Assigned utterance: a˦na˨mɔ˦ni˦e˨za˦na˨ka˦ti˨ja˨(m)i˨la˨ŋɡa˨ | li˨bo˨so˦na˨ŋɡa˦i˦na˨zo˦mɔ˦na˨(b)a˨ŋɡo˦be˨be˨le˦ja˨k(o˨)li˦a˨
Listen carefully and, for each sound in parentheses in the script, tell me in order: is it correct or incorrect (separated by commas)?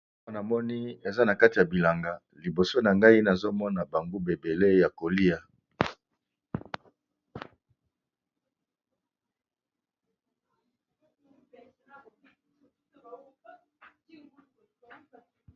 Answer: incorrect, correct, correct